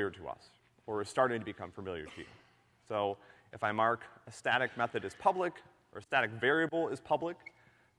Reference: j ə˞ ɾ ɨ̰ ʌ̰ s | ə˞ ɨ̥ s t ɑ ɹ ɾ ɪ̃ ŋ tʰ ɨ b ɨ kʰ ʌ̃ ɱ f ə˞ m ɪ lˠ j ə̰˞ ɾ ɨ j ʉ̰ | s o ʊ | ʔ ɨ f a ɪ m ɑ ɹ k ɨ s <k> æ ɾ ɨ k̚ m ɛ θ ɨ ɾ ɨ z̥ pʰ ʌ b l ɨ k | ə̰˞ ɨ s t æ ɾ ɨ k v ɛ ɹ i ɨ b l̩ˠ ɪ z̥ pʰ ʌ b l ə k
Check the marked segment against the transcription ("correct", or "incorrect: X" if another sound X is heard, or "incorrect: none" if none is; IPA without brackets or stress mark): incorrect: t